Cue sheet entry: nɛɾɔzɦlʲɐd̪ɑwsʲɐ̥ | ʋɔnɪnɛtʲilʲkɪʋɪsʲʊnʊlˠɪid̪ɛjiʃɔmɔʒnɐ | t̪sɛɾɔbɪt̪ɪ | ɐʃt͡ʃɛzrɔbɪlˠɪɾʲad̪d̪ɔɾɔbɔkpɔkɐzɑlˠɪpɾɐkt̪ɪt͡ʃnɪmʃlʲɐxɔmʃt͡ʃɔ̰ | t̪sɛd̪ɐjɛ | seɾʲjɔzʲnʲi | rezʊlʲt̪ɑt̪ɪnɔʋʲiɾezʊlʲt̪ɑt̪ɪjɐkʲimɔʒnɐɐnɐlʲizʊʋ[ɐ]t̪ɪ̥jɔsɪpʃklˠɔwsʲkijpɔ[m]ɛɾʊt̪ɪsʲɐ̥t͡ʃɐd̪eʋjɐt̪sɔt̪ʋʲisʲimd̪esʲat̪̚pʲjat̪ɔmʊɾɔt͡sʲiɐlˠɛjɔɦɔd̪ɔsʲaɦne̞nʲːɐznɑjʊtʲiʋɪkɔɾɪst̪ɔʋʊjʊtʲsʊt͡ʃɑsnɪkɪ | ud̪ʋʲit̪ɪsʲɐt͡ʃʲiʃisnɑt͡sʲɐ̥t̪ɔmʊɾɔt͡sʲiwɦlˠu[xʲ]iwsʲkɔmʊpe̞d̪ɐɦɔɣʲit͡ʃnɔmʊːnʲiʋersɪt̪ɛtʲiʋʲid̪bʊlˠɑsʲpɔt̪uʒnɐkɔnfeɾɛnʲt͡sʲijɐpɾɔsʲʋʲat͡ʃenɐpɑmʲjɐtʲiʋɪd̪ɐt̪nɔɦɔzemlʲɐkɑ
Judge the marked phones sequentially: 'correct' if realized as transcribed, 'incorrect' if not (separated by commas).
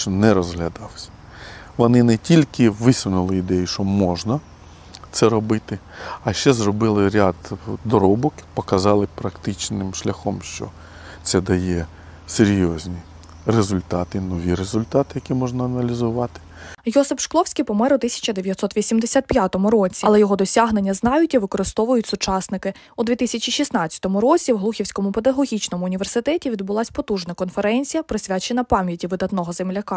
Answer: incorrect, correct, correct